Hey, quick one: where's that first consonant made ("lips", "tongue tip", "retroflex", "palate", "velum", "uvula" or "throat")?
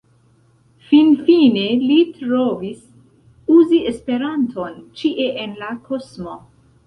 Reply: lips